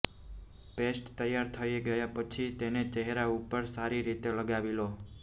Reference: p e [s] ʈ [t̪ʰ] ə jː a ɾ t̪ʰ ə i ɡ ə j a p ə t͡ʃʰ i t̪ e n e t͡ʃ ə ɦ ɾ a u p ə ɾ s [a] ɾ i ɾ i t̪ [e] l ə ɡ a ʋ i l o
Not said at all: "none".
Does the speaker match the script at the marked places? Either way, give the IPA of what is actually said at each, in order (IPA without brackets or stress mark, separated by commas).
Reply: s, t̪, a, e